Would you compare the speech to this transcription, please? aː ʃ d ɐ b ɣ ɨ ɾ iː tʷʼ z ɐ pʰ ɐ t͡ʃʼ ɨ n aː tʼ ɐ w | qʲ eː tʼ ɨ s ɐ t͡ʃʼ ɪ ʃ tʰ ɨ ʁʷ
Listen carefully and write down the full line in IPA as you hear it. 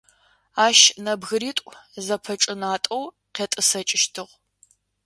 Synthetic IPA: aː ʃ n ɐ b ɣ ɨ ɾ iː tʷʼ z ɐ pʰ ɐ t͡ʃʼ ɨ n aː tʼ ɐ w | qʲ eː tʼ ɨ s ɐ t͡ʃʼ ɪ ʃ tʰ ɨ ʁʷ